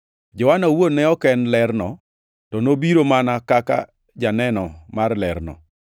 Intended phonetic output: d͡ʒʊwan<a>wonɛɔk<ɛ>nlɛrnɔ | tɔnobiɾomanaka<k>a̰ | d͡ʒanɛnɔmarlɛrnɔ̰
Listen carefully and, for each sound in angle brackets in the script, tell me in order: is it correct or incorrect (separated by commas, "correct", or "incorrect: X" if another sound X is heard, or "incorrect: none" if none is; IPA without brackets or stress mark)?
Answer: correct, correct, correct